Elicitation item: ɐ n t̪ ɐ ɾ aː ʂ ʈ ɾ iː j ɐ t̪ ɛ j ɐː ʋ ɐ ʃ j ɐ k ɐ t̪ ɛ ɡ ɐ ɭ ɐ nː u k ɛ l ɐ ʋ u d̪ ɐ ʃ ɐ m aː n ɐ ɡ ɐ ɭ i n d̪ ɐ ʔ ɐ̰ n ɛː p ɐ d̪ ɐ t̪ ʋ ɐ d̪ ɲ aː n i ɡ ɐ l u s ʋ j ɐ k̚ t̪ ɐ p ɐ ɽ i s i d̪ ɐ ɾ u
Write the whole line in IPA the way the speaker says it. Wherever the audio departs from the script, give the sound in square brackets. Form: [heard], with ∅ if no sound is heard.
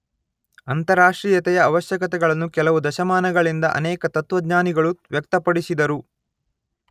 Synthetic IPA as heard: ɐ n t̪ ɐ ɾ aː ʂ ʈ ɾ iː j ɐ t̪ ɛ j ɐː ʋ ɐ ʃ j ɐ k ɐ t̪ ɛ ɡ ɐ ɭ ɐ nː u k ɛ l ɐ ʋ u d̪ ɐ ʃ ɐ m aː n ɐ ɡ ɐ ɭ i n d̪ ɐ ʔ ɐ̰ n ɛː [k] ɐ [t̪] ɐ t̪ ʋ ɐ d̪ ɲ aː n i ɡ ɐ [ɭ] u [∅] ʋ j ɐ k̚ t̪ ɐ p ɐ ɽ i s i d̪ ɐ ɾ u